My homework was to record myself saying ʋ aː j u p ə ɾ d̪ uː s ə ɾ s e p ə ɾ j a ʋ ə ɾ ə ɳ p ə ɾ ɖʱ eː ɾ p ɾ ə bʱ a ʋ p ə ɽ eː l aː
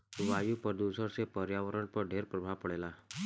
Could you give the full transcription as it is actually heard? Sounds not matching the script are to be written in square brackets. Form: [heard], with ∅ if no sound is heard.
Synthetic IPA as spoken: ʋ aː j u p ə ɾ d̪ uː s ə ɾ s e p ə ɾ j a ʋ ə ɾ ə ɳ p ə ɾ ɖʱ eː ɾ p ɾ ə bʱ a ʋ p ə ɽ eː l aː

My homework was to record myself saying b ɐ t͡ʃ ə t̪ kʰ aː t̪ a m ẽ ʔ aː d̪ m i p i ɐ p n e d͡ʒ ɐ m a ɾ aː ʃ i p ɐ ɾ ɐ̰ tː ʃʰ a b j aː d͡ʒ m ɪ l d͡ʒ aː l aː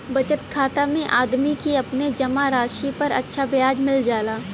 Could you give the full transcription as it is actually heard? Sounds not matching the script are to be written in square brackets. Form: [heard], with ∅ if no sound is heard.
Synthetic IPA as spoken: b ɐ t͡ʃ ə t̪ kʰ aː t̪ a m ẽ ʔ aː d̪ m i [k] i ɐ p n e d͡ʒ ɐ m a ɾ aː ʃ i p ɐ ɾ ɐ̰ tː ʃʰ a b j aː d͡ʒ m ɪ l d͡ʒ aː l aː

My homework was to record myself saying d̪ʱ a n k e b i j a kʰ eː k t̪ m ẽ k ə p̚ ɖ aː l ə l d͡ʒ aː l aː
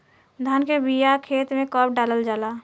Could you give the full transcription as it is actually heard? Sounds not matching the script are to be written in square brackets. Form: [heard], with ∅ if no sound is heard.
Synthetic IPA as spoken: d̪ʱ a n k e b i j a kʰ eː [∅] t̪ m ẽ k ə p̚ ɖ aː l ə l d͡ʒ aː l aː

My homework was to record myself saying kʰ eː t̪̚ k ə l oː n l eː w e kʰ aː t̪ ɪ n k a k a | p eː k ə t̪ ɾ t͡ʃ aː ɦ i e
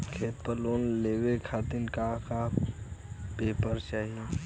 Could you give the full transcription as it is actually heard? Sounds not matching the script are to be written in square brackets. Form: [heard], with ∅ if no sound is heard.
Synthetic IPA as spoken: kʰ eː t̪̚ [p] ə l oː n l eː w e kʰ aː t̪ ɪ n k a k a | p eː [p] ə [∅] ɾ t͡ʃ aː ɦ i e

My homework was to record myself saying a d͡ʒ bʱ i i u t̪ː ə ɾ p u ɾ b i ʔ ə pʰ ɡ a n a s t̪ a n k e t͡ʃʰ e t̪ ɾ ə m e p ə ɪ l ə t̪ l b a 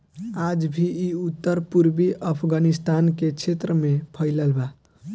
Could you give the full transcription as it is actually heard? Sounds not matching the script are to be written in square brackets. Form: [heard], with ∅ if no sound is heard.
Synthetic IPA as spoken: a d͡ʒ bʱ i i u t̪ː ə ɾ p u ɾ b i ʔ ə pʰ ɡ a n [i] s t̪ a n k e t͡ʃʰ e t̪ ɾ ə m e [pʰ] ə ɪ l ə [∅] l b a

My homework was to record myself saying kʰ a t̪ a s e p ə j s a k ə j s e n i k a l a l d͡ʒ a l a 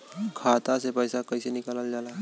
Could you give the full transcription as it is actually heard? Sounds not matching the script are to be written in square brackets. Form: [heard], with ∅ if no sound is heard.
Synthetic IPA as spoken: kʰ a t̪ a s e p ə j s a k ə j s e n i k a l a l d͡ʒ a l a

